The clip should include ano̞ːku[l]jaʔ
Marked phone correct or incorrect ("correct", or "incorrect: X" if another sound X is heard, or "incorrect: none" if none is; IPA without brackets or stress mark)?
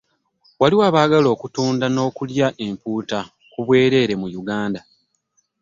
correct